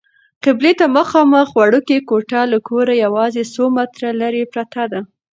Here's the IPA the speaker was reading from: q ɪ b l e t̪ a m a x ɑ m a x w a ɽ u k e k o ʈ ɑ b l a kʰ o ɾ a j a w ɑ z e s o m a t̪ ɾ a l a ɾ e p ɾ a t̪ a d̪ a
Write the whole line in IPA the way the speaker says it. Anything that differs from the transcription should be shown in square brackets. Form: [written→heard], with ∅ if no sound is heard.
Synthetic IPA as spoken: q ɪ b l e t̪ a m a x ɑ m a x w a ɽ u k e k o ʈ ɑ [b→∅] l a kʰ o ɾ a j a w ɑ z e s o m a t̪ ɾ a l a ɾ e p ɾ a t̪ a d̪ a